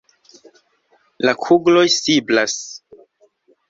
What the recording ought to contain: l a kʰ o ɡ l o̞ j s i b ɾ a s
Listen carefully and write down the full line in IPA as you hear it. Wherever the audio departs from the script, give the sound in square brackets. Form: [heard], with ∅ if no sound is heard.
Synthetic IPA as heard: l a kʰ [u] ɡ l o̞ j s i b [l] a s